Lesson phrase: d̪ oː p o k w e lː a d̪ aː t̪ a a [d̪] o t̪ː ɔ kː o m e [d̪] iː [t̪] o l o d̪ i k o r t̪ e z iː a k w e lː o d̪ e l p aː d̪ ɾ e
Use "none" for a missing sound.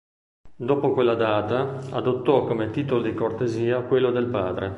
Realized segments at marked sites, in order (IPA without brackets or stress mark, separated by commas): d̪, t̪, t̪